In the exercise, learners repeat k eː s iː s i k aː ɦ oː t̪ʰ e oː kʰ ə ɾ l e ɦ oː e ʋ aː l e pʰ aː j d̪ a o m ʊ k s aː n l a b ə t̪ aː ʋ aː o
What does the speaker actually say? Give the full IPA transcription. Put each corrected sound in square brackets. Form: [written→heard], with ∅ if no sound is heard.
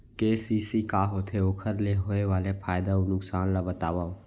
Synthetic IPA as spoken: k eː s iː s i k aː ɦ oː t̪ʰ e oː kʰ ə ɾ l e ɦ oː e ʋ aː l e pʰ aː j d̪ a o [m→n] ʊ k s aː n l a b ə t̪ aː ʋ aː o

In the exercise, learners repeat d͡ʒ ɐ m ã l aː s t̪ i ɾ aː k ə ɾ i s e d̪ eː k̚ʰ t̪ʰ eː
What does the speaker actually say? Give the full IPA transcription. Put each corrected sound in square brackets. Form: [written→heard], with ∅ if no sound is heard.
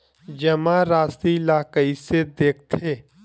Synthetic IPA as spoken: d͡ʒ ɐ m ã [l→ɾ] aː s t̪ i [ɾ→l] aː k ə [ɾ→∅] i s e d̪ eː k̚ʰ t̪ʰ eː

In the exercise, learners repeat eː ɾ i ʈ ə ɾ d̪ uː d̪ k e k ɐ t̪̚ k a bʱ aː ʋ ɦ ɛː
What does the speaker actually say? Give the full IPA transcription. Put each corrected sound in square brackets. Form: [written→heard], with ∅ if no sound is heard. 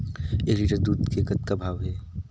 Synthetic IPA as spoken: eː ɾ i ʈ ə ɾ d̪ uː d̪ k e k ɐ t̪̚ k a bʱ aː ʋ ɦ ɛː

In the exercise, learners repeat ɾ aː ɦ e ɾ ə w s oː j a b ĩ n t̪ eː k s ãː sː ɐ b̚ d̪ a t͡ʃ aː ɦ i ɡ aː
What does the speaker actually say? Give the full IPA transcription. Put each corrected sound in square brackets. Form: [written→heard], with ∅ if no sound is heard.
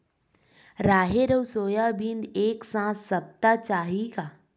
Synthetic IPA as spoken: ɾ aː ɦ e ɾ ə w s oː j a b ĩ n [t̪→d̪] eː k s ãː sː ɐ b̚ [d̪→t̪] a t͡ʃ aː ɦ i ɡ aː

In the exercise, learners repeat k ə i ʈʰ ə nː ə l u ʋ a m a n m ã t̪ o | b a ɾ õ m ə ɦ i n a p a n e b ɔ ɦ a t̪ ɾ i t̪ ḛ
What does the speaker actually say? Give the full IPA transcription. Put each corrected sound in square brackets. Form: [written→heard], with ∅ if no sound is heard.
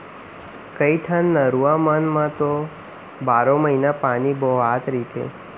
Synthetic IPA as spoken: k ə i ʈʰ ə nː ə [l→ɾ] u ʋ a m a n m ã t̪ o | b a ɾ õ m ə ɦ i n a p a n [e→i] b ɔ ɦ a t̪ ɾ i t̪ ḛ

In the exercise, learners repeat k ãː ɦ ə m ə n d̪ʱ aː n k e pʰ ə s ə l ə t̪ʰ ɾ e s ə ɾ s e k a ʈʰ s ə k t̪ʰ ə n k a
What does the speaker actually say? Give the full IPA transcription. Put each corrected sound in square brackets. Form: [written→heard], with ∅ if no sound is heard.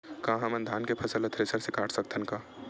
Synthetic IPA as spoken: k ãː ɦ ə m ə n d̪ʱ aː n k e pʰ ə s ə l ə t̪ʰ ɾ e s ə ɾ s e k a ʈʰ s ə k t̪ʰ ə n k a

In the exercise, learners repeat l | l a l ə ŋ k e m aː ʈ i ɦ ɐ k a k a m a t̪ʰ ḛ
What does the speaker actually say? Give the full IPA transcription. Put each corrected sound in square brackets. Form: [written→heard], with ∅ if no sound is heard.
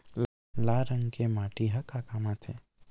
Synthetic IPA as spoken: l | l a [l→ɾ] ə ŋ k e m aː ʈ i ɦ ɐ k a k a m a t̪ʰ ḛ

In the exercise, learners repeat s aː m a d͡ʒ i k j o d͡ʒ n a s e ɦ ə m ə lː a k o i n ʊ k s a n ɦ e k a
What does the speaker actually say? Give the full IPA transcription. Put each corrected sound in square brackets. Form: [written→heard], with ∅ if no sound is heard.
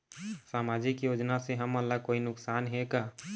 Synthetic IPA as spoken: s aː m a d͡ʒ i k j o d͡ʒ n a s e ɦ ə m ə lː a k o i n ʊ k s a n ɦ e k a

